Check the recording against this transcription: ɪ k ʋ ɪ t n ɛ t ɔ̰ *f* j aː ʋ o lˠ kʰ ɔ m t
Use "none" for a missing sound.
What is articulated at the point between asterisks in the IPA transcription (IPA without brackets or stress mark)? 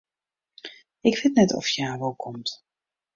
f